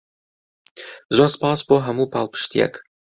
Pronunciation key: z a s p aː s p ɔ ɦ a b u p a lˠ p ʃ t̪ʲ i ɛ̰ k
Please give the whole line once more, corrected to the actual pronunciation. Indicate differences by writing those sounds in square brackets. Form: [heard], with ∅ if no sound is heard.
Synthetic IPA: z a s p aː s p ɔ ɦ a [m] u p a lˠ p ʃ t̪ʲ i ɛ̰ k